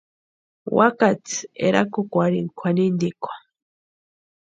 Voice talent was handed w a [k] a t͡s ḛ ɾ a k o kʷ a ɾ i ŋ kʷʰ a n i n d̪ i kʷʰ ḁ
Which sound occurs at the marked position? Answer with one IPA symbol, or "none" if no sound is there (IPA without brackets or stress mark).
k